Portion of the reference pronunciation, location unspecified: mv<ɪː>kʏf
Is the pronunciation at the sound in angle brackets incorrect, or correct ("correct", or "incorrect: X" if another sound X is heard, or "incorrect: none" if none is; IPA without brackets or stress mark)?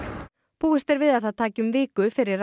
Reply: correct